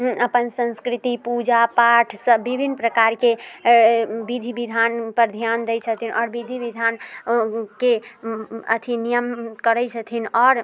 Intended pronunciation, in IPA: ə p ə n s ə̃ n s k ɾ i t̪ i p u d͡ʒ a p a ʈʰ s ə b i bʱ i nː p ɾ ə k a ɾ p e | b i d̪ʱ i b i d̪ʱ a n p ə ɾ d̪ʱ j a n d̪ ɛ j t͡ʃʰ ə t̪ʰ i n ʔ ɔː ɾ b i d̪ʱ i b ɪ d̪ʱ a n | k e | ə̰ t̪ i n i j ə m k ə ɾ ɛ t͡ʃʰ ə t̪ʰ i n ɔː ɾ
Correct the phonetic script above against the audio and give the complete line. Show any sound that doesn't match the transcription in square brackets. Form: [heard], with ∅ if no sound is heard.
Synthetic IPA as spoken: ə p ə n s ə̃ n s k ɾ i t̪ i p u d͡ʒ a p a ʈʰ s ə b i bʱ i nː p ɾ ə k a ɾ [k] e | b i d̪ʱ i b i d̪ʱ a n p ə ɾ d̪ʱ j a n d̪ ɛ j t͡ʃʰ ə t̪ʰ i n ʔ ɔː ɾ b i d̪ʱ i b [i] d̪ʱ a n | k e | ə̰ [t̪ʰ] i n i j ə m k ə ɾ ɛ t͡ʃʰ ə t̪ʰ i n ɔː ɾ

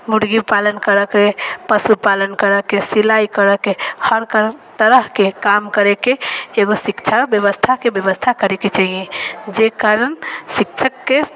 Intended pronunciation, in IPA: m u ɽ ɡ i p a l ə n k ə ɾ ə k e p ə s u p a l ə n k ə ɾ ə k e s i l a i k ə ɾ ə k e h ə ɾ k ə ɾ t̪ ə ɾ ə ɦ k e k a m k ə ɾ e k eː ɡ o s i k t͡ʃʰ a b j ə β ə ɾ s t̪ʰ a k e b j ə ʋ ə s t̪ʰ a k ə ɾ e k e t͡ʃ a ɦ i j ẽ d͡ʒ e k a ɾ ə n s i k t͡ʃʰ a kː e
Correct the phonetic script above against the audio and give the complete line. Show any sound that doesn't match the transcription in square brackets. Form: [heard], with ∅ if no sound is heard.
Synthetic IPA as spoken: m u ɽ ɡ i p a l ə n k ə ɾ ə k e p ə s u p a l ə n k ə ɾ ə k e s i l a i k ə ɾ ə k e h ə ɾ k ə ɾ t̪ ə ɾ ə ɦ k e k a m k ə ɾ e k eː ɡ o s i k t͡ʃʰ a b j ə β ə [∅] s t̪ʰ a k e b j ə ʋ ə s t̪ʰ a k ə ɾ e k e t͡ʃ a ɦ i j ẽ d͡ʒ e k a ɾ ə n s i k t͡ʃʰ [ə] kː e

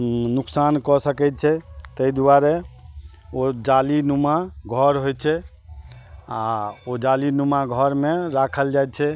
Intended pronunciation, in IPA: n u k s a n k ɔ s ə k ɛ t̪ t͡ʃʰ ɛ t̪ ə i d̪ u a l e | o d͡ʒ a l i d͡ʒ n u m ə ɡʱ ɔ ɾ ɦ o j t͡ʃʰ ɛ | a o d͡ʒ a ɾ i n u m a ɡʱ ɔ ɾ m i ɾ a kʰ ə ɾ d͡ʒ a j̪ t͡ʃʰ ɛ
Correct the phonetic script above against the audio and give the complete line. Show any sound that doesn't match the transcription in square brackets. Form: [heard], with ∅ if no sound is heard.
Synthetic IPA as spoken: n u k s a n k ɔ s ə k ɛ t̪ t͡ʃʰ ɛ t̪ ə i d̪ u a [ɾ] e | o d͡ʒ a l i [∅] n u m [a] ɡʱ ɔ ɾ ɦ o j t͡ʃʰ ɛ | a o d͡ʒ a [l] i n u m a ɡʱ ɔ ɾ m [e] ɾ a kʰ ə [l] d͡ʒ a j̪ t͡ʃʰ ɛ

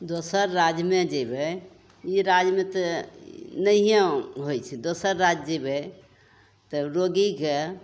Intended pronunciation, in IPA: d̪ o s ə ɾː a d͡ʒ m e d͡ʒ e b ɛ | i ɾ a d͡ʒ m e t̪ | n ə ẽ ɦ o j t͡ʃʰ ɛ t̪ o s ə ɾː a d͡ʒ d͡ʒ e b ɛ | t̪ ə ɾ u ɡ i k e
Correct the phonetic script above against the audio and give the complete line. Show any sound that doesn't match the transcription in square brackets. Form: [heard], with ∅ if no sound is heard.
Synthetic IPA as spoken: d̪ o s ə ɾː a d͡ʒ m e d͡ʒ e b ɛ | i ɾ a d͡ʒ m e t̪ | n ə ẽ ɦ o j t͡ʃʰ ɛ [d̪] o s ə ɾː a d͡ʒ d͡ʒ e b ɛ | t̪ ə ɾ [o] ɡ i k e

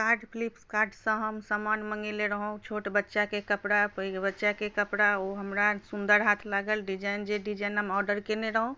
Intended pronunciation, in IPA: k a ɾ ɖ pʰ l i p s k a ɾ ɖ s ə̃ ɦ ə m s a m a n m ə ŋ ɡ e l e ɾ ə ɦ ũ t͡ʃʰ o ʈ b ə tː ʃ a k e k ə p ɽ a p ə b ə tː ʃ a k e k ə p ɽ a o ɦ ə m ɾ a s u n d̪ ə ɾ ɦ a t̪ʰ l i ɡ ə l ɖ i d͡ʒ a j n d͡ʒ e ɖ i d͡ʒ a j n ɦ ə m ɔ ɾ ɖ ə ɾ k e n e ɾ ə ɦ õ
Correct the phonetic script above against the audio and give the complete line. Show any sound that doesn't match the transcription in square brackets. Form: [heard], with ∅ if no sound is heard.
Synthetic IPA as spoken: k a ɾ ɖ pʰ l i p s k a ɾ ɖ s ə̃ ɦ ə m s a m a n m ə ŋ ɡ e l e ɾ ə ɦ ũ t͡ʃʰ o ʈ b ə tː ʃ a k e k ə p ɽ a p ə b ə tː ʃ a k e k ə p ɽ a o ɦ ə m ɾ a s u n d̪ ə ɾ ɦ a t̪ʰ l [a] ɡ ə l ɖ i d͡ʒ a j n d͡ʒ e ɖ i d͡ʒ a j n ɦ ə m ɔ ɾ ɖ ə ɾ k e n e ɾ ə ɦ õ

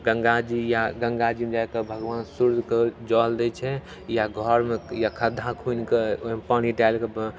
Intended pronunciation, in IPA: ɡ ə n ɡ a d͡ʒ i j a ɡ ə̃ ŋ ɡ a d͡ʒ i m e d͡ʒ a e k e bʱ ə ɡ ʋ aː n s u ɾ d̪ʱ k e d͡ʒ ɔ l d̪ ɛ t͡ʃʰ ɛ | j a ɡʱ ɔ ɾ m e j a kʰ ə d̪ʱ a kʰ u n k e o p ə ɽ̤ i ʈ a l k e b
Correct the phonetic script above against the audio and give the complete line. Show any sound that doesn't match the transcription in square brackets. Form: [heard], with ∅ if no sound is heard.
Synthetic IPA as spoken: ɡ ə [ŋ] ɡ a d͡ʒ i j a ɡ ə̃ ŋ ɡ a d͡ʒ i m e d͡ʒ a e k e bʱ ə ɡ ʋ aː n s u ɾ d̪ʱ k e d͡ʒ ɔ l d̪ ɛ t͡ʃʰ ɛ | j a ɡʱ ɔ ɾ m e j a kʰ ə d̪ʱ a kʰ u n k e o p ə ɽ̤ i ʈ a l k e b

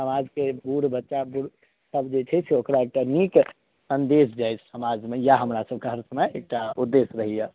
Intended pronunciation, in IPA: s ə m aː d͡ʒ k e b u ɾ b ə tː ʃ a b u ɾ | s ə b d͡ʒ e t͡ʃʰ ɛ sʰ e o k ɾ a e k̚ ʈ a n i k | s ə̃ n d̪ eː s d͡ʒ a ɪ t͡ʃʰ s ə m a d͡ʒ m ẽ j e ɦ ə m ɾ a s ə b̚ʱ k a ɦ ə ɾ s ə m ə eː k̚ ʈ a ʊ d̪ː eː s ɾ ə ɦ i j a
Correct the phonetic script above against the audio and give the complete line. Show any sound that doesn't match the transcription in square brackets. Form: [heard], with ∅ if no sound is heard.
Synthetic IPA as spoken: s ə m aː d͡ʒ k e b u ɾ b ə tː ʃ a b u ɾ | s ə b d͡ʒ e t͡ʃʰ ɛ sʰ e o k ɾ a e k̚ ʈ a n i k | s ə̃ n d̪ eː s d͡ʒ a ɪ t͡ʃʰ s ə m a d͡ʒ m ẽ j [a] ɦ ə m ɾ a s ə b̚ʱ k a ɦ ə ɾ s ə m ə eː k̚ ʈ a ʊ d̪ː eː s ɾ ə ɦ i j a

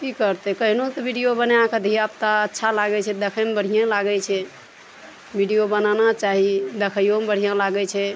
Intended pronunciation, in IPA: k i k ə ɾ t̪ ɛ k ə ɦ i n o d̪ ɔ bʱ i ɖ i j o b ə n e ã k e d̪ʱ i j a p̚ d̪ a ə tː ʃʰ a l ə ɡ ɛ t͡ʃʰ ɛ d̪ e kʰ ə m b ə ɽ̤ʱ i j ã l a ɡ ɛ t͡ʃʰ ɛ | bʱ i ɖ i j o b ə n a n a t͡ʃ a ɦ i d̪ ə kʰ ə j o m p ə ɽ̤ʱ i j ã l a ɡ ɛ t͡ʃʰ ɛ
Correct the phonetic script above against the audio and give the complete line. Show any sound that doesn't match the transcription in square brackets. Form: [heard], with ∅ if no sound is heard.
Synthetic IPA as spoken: k i k ə ɾ t̪ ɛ k ə ɦ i n o [t̪] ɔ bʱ i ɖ i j o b ə n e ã k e d̪ʱ i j a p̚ [t̪] a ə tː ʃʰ a l [a] ɡ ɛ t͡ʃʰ ɛ d̪ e kʰ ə m b ə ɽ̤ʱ i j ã l a ɡ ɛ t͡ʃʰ ɛ | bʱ i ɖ i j o b ə n a n a t͡ʃ a ɦ i d̪ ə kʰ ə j o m [b] ə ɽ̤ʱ i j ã l a ɡ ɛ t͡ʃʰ ɛ

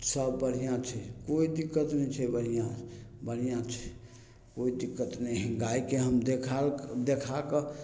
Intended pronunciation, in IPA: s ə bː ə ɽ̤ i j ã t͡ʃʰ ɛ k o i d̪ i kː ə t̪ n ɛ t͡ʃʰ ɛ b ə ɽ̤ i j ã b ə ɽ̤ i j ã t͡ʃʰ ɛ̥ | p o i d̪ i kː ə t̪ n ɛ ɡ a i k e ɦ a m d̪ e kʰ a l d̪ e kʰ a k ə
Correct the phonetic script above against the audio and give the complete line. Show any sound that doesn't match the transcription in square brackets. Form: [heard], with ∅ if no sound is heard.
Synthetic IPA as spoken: s ə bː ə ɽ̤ i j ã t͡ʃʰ ɛ k o i d̪ i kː ə t̪ n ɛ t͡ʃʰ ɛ b ə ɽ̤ i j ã b ə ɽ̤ i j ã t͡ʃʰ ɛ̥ | [k] o i d̪ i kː ə t̪ n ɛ ɡ a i k e ɦ [ə] m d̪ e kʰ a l d̪ e kʰ a k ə

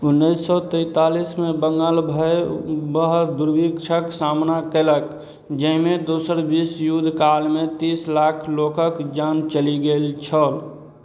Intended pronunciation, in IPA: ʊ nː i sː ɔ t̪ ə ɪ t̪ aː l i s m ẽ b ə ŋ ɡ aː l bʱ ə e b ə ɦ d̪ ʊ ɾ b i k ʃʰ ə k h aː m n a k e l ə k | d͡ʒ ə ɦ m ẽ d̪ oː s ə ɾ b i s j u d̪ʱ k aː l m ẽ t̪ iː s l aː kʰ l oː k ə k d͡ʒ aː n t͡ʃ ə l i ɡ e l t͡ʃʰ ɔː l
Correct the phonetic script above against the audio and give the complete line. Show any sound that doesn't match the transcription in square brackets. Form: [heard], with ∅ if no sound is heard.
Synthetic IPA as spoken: ʊ nː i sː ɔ t̪ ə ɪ t̪ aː l i s m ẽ b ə ŋ ɡ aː l bʱ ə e b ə ɦ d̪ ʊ ɾ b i k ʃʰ ə k [s] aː m n a k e l ə k | d͡ʒ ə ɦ m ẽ d̪ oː s ə ɾ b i s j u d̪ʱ k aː l m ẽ t̪ iː s l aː kʰ l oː k ə k d͡ʒ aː n t͡ʃ ə l i ɡ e l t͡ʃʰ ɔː l

